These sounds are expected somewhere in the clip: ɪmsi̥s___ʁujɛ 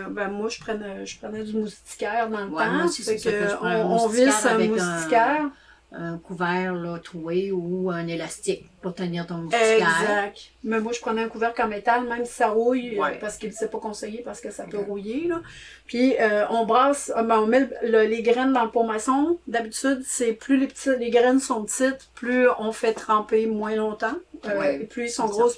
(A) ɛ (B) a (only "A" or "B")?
B